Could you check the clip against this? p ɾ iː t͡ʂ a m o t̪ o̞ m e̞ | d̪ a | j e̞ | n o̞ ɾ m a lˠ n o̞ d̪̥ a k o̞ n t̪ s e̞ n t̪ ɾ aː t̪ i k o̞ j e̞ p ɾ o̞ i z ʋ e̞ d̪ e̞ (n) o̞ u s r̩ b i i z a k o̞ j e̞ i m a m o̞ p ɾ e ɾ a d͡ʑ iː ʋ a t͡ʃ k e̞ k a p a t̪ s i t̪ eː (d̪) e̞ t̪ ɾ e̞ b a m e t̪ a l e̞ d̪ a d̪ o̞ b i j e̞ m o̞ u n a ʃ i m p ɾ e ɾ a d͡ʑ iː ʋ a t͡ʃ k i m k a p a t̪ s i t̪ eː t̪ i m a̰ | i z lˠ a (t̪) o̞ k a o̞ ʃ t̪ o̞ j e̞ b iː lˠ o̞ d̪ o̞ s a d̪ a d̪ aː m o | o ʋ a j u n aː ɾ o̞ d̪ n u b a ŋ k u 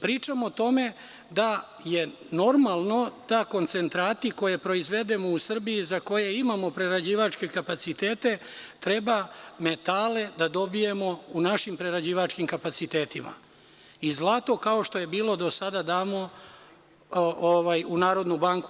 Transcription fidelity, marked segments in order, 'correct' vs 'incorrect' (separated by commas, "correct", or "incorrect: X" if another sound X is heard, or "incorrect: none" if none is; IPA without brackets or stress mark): incorrect: m, incorrect: t̪, correct